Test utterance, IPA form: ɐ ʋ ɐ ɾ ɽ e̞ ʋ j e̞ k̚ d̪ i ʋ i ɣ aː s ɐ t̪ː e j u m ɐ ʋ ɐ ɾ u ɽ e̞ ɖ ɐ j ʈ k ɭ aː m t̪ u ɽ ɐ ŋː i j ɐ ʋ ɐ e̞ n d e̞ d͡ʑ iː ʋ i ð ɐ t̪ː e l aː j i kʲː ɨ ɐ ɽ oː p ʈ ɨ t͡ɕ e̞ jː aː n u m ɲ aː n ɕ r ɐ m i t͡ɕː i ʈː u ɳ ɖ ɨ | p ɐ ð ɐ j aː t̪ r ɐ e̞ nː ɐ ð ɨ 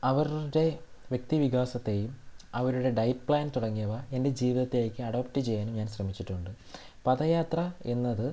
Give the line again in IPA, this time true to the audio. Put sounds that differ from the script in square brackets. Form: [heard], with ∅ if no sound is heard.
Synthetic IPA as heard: ɐ ʋ ɐ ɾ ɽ e̞ ʋ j e̞ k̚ [t̪] i ʋ i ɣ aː s ɐ t̪ː e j u m ɐ ʋ ɐ ɾ u ɽ e̞ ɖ ɐ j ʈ [p] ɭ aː [n] t̪ u ɽ ɐ ŋː i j ɐ ʋ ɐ e̞ n d e̞ d͡ʑ iː ʋ i ð ɐ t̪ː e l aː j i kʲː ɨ ɐ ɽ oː p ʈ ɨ t͡ɕ e̞ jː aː n u m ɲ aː n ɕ r ɐ m i t͡ɕː i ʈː u ɳ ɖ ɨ | p ɐ ð ɐ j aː t̪ r ɐ e̞ nː ɐ ð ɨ